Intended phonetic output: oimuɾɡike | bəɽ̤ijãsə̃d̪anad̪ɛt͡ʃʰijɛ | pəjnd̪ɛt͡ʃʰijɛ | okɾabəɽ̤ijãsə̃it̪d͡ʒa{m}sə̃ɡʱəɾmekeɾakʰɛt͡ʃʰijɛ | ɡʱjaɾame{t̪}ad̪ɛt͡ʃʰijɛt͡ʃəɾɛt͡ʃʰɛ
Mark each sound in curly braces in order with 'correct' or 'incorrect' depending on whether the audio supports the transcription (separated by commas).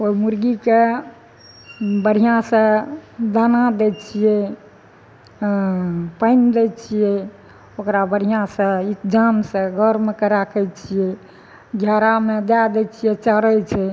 correct, incorrect